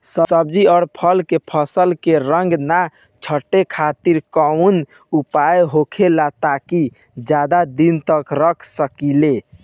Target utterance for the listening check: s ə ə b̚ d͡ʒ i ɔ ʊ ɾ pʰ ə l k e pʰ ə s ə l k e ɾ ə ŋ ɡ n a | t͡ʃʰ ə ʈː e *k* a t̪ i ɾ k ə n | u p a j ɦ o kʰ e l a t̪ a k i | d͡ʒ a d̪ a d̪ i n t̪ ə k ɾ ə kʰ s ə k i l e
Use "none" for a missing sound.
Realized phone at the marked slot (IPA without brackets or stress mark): kʰ